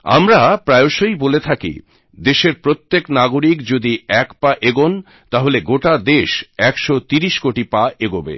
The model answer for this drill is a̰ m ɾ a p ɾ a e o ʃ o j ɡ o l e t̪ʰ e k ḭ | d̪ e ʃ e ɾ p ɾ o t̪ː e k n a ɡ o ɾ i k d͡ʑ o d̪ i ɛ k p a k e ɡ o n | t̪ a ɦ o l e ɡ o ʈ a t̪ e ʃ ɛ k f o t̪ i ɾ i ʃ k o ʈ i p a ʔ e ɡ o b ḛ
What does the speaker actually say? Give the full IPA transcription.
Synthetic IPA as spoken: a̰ m ɾ a p ɾ a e o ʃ o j b o l e t̪ʰ a k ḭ | d̪ e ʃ e ɾ p ɾ o t̪ː e k n a ɡ o ɾ i k d͡ʑ o d̪ i ɛ k p a ʔ e ɡ o n | t̪ a ɦ o l e ɡ o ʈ a d̪ e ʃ ɛ k ʃ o t̪ i ɾ i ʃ k o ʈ i p a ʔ e ɡ o b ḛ